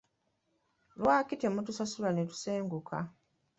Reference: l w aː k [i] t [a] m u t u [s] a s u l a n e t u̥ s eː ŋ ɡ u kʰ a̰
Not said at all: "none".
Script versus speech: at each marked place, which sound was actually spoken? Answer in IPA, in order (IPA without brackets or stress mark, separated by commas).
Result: i, e, s